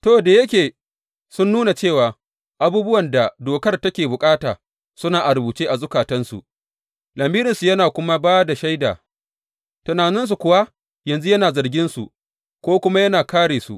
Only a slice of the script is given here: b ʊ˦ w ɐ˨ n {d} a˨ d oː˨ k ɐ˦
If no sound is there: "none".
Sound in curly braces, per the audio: d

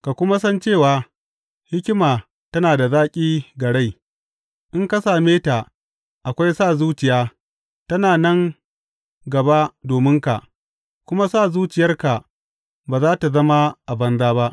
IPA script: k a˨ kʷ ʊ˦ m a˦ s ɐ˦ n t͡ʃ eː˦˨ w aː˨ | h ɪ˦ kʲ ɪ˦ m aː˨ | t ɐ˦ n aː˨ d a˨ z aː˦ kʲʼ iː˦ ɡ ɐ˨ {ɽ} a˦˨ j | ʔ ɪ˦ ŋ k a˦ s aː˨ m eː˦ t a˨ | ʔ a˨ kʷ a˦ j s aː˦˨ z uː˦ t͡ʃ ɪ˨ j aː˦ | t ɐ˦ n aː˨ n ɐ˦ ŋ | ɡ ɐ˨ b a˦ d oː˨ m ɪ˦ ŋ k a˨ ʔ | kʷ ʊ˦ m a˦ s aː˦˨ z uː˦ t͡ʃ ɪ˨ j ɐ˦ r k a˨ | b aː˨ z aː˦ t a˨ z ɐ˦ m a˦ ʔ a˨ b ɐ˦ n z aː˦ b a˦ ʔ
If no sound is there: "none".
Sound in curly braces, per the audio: ɽ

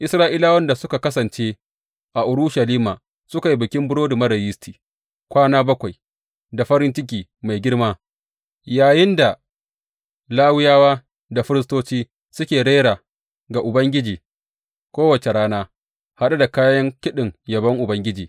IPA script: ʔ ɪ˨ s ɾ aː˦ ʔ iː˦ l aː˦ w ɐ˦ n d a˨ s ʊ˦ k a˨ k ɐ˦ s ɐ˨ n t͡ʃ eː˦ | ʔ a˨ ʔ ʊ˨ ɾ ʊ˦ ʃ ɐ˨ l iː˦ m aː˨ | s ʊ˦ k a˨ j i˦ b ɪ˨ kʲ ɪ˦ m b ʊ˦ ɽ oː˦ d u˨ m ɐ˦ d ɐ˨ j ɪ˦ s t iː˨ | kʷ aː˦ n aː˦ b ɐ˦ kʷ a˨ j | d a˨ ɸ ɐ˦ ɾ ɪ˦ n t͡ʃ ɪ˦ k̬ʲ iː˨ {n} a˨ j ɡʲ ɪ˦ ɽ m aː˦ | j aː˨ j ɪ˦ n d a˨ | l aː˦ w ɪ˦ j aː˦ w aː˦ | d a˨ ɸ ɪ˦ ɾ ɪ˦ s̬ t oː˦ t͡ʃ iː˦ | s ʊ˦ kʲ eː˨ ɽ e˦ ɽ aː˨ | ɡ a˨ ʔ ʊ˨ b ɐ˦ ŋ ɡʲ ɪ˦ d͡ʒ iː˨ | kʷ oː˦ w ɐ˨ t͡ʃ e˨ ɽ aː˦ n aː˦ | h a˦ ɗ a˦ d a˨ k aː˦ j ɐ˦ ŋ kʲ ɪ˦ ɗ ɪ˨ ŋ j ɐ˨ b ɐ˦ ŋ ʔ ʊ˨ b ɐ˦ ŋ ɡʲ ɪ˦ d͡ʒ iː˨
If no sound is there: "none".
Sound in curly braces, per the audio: m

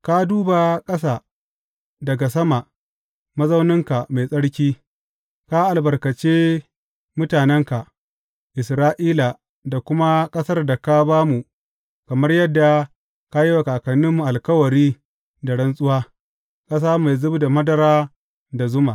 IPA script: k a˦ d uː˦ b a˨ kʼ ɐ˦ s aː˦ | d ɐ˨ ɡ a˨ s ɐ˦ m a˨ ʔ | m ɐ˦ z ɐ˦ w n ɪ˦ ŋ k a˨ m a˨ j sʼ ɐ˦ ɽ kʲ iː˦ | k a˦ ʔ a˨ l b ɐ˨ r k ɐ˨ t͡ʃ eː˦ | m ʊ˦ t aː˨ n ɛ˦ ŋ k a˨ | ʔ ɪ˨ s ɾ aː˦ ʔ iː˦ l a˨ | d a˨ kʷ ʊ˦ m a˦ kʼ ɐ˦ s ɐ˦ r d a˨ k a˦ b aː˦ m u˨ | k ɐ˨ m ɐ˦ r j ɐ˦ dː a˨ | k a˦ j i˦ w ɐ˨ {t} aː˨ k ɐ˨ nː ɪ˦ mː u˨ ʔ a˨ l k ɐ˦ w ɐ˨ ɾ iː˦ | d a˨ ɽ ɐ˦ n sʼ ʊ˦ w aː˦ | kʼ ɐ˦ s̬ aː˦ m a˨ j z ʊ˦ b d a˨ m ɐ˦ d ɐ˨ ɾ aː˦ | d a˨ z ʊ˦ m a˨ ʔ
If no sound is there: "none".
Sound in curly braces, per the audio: k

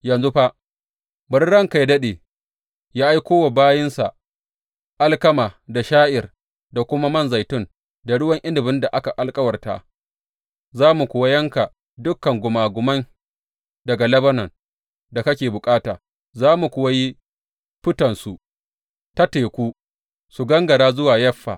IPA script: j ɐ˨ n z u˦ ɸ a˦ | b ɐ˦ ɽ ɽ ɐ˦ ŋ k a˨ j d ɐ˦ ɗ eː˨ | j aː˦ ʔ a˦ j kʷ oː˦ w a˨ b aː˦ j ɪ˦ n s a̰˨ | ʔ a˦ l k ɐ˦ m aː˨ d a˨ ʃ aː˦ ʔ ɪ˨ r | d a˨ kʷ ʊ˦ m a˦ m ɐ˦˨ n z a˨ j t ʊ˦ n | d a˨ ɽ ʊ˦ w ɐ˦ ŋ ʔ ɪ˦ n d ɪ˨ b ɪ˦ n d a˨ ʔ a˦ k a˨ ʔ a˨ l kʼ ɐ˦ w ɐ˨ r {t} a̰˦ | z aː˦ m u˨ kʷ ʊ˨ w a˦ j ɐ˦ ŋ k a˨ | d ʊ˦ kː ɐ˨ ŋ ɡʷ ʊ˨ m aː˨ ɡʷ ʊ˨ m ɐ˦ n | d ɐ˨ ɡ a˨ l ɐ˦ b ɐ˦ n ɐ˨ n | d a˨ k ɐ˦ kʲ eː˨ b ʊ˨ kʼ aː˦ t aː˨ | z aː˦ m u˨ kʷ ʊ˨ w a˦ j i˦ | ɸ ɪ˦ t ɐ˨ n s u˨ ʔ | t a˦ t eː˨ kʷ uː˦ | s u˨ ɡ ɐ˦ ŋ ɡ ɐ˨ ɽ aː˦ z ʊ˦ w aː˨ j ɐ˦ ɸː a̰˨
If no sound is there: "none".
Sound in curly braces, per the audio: t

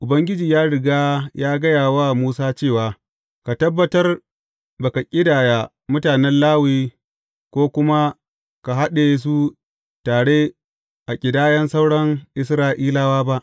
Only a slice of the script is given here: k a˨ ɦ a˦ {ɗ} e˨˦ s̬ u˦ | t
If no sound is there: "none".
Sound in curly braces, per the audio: ɗ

